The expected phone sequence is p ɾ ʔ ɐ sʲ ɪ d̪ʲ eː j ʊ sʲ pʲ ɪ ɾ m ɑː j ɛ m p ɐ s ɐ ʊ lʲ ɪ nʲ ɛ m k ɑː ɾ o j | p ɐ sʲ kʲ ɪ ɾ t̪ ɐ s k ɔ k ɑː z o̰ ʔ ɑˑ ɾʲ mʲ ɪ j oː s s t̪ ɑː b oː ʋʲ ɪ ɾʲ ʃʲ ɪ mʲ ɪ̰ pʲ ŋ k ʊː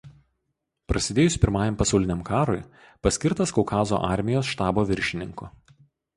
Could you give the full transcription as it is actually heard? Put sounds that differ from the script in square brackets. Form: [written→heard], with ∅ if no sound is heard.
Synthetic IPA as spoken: p ɾ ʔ ɐ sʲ ɪ d̪ʲ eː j ʊ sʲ pʲ ɪ ɾ m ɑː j ɛ m p ɐ s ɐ ʊ lʲ ɪ nʲ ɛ m k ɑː ɾ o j | p ɐ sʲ kʲ ɪ ɾ t̪ ɐ s k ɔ k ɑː z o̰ ʔ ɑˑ ɾʲ mʲ ɪ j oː s [s→ʃ] t̪ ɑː b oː ʋʲ ɪ ɾʲ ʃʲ ɪ [mʲ→nʲ] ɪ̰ [pʲ→∅] ŋ k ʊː

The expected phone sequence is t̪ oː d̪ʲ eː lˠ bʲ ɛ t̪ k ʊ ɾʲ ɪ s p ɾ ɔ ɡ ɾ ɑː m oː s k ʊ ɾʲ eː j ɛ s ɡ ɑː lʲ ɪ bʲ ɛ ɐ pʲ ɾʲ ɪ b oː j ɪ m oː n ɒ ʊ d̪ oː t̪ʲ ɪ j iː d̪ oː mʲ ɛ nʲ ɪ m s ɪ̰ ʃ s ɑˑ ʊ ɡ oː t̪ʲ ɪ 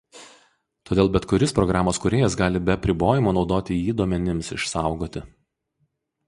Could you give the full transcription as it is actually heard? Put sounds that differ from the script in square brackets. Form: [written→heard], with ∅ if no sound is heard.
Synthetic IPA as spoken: t̪ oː d̪ʲ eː lˠ bʲ ɛ t̪ k ʊ ɾʲ ɪ s p ɾ ɔ ɡ ɾ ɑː m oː s k ʊ ɾʲ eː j ɛ s ɡ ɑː lʲ ɪ bʲ ɛ ɐ pʲ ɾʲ ɪ b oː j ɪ m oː n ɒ ʊ d̪ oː t̪ʲ ɪ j iː d̪ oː mʲ ɛ nʲ ɪ m s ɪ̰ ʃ s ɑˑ ʊ ɡ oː t̪ʲ ɪ

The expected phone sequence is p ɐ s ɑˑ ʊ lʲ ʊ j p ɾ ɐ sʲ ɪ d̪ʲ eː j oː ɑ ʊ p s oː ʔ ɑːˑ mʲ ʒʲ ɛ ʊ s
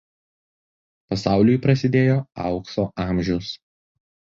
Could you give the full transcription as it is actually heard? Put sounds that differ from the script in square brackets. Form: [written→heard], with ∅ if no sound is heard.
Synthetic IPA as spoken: p ɐ s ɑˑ ʊ lʲ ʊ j p ɾ ɐ sʲ ɪ d̪ʲ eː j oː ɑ ʊ [p→k] s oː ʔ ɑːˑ mʲ ʒʲ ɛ ʊ s

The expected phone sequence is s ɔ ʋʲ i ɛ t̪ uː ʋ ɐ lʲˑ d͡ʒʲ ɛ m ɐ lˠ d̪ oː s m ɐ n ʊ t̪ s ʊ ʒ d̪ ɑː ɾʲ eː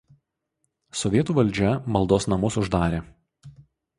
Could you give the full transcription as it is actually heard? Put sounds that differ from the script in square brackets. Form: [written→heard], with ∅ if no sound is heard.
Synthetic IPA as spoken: s ɔ ʋʲ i ɛ t̪ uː ʋ ɐ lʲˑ d͡ʒʲ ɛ m ɐ lˠ d̪ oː s [m→n] ɐ [n→m] ʊ [t̪→∅] s ʊ ʒ d̪ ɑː ɾʲ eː

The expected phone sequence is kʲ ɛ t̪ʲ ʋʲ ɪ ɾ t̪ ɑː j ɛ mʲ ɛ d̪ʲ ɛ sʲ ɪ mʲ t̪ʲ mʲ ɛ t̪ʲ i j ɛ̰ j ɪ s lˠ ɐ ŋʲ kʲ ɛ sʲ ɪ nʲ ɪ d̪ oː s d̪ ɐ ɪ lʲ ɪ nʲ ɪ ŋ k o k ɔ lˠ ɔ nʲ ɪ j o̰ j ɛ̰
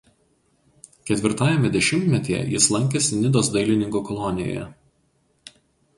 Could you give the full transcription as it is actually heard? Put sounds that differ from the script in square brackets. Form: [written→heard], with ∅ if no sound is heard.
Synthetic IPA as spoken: kʲ ɛ t̪ʲ ʋʲ ɪ ɾ t̪ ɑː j ɛ mʲ ɛ d̪ʲ ɛ [sʲ→ʃʲ] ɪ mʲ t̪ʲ mʲ ɛ t̪ʲ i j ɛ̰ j ɪ s lˠ ɐ ŋʲ kʲ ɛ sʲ ɪ nʲ ɪ d̪ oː s d̪ ɐ ɪ lʲ ɪ nʲ ɪ ŋ k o k ɔ lˠ ɔ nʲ ɪ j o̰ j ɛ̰

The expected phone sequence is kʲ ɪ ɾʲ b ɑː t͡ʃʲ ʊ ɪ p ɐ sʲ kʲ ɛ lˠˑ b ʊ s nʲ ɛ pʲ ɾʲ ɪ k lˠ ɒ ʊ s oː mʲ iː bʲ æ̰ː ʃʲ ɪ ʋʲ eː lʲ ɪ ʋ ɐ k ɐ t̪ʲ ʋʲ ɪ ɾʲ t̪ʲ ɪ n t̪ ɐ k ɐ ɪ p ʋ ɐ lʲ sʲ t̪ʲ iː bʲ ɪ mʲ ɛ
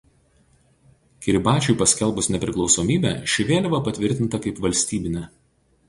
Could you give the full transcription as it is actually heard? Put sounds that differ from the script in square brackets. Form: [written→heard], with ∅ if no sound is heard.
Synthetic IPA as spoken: kʲ ɪ ɾʲ b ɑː t͡ʃʲ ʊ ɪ p ɐ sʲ kʲ ɛ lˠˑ b ʊ s nʲ ɛ pʲ ɾʲ ɪ k lˠ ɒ ʊ s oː mʲ iː bʲ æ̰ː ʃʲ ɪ ʋʲ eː lʲ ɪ ʋ ɐ [k→p] ɐ t̪ʲ ʋʲ ɪ ɾʲ t̪ʲ ɪ n t̪ ɐ k ɐ ɪ p ʋ ɐ lʲ sʲ t̪ʲ iː bʲ ɪ [mʲ→nʲ] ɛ

